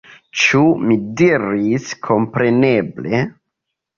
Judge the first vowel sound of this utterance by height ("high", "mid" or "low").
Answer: high